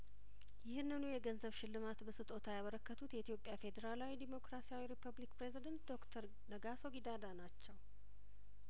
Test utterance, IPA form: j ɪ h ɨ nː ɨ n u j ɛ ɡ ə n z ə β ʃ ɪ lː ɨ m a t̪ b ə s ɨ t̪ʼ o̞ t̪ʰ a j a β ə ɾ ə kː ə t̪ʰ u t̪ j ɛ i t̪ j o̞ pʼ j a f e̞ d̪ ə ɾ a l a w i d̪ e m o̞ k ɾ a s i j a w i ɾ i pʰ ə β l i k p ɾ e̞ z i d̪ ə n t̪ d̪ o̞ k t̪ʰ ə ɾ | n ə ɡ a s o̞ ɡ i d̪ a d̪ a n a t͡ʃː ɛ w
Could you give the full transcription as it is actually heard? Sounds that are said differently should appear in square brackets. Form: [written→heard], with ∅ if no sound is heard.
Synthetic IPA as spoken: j ɪ h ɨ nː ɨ n u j ɛ ɡ ə n z ə β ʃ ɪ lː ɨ m a t̪ b ə s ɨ t̪ʼ o̞ t̪ʰ a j a β ə ɾ ə kː ə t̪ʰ u t̪ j ɛ i t̪ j o̞ pʼ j a f e̞ d̪ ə ɾ a l a w i d̪ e m o̞ k ɾ a s i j a w i ɾ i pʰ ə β l i k p ɾ e̞ z i d̪ ə n t̪ d̪ o̞ k t̪ʰ ə ɾ | n ə ɡ a s o̞ ɡ i d̪ a d̪ a n a t͡ʃː ɛ w